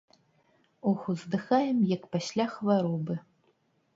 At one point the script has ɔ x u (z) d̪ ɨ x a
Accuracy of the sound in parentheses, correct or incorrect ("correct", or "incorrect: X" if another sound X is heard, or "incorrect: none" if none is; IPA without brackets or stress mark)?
correct